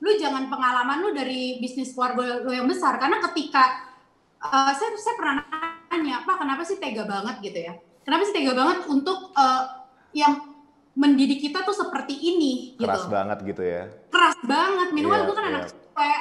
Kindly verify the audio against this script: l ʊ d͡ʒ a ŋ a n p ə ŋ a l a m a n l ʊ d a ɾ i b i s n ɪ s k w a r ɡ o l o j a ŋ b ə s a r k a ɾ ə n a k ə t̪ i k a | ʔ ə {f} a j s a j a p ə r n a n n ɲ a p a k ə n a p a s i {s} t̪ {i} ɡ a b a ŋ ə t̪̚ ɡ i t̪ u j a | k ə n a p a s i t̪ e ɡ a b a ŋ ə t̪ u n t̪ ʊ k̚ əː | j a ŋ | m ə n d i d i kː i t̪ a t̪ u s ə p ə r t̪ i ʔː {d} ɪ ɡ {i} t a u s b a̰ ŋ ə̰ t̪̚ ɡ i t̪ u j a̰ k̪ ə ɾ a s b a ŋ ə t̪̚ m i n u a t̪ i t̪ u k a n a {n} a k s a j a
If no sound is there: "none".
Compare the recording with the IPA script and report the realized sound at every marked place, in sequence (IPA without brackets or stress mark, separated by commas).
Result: s, h, e, n, i, n